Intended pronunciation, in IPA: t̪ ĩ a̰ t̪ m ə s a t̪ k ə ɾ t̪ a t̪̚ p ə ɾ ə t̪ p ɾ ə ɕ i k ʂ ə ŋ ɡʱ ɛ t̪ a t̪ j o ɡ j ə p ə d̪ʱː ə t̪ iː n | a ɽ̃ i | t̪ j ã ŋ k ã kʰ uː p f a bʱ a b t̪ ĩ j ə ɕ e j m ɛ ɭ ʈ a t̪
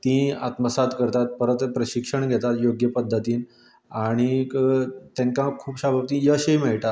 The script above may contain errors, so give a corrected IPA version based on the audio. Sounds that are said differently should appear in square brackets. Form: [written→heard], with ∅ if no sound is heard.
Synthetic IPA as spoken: t̪ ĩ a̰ t̪ m ə s a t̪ k ə ɾ t̪ a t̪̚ p ə ɾ ə t̪ p ɾ ə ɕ i k ʂ ə [ŋ→ɳ] ɡʱ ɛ t̪ a t̪ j o ɡ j ə p ə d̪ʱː ə t̪ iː n | a ɽ̃ i | t̪ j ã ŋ k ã kʰ uː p [f→ɕ] a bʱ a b t̪ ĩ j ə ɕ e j m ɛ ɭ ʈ a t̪